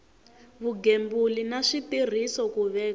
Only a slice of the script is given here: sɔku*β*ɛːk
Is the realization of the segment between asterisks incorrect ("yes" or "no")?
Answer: no